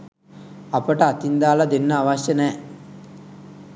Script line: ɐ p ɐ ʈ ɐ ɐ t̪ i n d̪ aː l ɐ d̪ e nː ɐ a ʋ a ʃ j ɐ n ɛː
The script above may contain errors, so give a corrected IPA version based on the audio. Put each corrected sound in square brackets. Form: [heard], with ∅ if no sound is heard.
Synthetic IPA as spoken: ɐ p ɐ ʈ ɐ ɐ t̪ i n d̪ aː l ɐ d̪ e nː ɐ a ʋ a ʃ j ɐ n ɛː